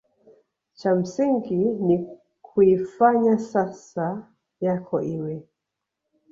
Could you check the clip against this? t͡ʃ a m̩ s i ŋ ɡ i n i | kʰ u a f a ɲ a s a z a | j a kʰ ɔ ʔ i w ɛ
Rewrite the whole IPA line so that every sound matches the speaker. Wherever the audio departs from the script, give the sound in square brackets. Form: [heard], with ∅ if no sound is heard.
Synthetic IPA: t͡ʃ a m̩ s i ŋ ɡ i n i | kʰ u [i] f a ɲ a s a [s] a | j a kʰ ɔ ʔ i w ɛ